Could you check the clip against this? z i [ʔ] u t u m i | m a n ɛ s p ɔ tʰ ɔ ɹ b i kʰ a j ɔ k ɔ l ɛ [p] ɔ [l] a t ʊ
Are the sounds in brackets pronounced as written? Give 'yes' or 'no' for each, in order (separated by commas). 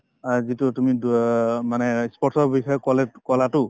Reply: no, no, yes